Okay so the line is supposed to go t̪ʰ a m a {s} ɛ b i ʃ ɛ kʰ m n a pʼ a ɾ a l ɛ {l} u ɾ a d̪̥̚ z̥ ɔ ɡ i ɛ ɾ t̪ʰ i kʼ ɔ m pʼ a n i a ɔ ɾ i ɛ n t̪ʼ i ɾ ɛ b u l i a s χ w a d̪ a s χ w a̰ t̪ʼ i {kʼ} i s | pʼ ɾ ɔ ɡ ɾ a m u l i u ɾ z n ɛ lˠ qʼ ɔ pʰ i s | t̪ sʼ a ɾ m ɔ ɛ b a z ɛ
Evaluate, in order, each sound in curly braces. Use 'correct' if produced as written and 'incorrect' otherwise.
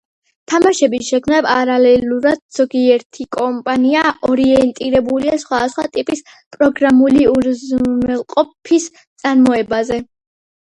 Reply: incorrect, correct, incorrect

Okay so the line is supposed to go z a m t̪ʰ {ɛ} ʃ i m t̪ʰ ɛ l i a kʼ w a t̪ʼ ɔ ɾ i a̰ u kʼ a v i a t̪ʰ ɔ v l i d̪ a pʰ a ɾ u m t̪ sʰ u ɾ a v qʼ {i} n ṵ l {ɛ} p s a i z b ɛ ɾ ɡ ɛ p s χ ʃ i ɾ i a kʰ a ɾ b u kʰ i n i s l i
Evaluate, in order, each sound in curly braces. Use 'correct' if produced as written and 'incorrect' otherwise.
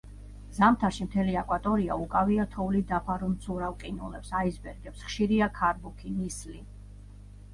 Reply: incorrect, correct, correct

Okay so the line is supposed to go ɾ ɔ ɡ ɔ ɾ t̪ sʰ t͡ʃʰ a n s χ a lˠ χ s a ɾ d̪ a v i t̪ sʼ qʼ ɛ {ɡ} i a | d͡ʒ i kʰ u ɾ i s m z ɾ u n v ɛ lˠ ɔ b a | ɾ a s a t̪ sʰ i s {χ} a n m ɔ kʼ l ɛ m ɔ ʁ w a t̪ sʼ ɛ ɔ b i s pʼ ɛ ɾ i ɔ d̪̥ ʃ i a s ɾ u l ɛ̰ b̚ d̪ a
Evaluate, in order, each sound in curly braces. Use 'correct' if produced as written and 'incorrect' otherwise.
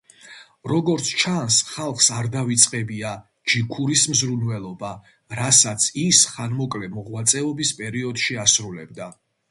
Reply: incorrect, correct

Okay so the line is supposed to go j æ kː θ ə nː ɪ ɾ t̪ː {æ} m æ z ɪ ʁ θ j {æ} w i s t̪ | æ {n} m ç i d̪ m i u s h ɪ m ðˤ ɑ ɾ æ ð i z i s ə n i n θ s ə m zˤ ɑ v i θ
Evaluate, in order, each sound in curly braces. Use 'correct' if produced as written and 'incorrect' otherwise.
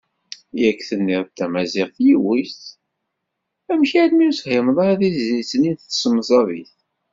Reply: correct, incorrect, incorrect

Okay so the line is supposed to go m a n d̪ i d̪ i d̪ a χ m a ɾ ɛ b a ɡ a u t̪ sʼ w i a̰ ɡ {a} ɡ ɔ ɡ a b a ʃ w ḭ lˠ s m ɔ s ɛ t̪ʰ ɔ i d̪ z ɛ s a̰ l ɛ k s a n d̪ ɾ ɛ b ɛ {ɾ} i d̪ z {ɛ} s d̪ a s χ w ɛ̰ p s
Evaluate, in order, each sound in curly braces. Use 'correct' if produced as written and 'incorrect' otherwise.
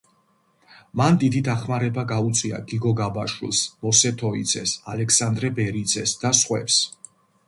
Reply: incorrect, correct, correct

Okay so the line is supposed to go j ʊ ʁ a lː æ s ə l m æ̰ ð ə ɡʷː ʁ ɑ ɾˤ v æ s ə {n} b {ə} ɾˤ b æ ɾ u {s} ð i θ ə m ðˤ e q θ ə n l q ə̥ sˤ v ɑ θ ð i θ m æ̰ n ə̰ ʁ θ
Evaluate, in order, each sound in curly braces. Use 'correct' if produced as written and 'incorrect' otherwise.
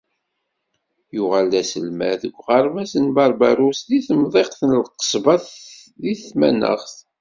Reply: correct, incorrect, correct

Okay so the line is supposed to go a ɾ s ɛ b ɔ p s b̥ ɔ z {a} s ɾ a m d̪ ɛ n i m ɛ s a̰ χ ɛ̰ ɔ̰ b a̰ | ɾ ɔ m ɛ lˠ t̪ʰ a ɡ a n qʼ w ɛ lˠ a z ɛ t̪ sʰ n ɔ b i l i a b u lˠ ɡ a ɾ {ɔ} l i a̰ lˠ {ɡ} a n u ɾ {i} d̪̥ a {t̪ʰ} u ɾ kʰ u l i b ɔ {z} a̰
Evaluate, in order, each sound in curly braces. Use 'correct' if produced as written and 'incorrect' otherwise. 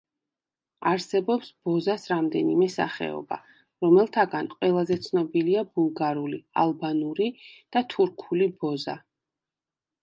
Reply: correct, incorrect, incorrect, correct, correct, correct

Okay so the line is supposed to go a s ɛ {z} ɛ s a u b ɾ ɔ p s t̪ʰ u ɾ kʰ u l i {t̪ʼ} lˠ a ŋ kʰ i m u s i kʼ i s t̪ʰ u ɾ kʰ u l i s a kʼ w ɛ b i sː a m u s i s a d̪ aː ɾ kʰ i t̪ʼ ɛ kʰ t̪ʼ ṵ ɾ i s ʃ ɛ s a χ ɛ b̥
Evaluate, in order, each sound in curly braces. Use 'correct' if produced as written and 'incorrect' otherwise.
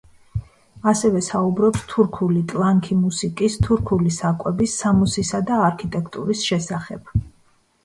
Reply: incorrect, correct

